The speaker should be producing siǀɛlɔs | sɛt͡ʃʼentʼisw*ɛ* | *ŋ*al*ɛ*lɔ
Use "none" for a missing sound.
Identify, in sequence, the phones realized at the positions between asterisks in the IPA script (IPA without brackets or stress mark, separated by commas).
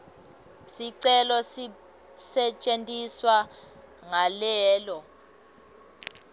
a, ŋ, ɛː